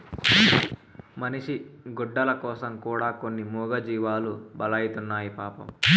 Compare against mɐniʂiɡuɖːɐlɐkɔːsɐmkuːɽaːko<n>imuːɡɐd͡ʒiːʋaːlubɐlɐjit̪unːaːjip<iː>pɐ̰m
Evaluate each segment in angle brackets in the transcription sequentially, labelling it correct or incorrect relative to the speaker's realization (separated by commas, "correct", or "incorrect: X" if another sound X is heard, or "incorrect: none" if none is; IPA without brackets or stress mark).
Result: incorrect: nː, incorrect: aː